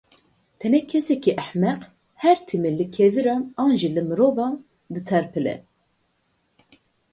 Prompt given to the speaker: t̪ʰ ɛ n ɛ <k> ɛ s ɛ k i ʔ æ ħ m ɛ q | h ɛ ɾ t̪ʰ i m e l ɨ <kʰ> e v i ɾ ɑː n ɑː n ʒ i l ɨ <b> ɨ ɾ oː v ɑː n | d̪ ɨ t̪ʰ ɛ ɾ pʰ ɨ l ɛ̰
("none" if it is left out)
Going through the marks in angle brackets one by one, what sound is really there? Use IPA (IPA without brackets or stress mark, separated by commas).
kʰ, kʰ, m